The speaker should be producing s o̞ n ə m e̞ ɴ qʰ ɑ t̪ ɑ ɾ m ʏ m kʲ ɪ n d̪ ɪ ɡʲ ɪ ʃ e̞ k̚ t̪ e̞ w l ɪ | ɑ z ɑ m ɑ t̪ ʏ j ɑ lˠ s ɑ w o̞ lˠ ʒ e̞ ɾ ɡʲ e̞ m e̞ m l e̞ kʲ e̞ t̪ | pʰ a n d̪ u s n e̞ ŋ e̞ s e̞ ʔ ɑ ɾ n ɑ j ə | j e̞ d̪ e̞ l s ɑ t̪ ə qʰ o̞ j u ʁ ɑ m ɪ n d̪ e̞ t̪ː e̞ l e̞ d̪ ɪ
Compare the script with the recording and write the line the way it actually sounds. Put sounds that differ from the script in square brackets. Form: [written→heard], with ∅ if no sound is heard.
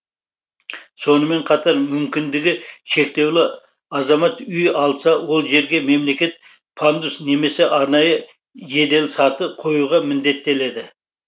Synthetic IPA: s o̞ n ə m e̞ ɴ qʰ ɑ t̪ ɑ ɾ m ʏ m kʲ ɪ n d̪ ɪ ɡʲ ɪ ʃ e̞ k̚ t̪ e̞ w l ɪ | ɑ z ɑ m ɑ t̪ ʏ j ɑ lˠ s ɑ w o̞ lˠ ʒ e̞ ɾ ɡʲ e̞ m e̞ m l e̞ kʲ e̞ t̪ | pʰ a n d̪ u s n e̞ [ŋ→m] e̞ s e̞ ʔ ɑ ɾ n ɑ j ə | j e̞ d̪ e̞ l s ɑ t̪ ə qʰ o̞ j u ʁ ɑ m ɪ n d̪ e̞ t̪ː e̞ l e̞ d̪ ɪ